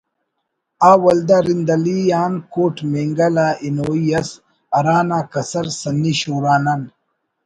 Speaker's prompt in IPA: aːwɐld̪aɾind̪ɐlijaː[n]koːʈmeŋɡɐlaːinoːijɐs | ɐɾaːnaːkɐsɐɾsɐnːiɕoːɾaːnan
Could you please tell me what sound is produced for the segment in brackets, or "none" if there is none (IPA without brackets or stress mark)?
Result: n